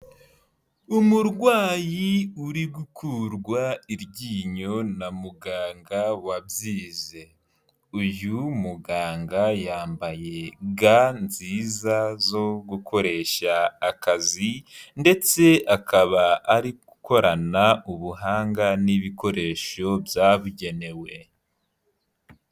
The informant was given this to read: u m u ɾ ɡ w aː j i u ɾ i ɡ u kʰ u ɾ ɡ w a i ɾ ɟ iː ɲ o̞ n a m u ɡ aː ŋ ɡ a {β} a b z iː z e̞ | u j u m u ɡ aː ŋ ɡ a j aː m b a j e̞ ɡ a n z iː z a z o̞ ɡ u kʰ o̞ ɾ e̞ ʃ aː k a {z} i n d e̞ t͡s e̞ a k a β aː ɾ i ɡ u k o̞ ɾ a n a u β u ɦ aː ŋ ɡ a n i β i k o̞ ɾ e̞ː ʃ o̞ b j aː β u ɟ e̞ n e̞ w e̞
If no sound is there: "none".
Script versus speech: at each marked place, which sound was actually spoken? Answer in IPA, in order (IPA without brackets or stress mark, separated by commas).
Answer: w, z